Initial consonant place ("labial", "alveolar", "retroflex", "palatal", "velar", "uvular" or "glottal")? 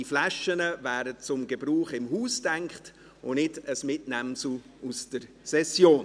labial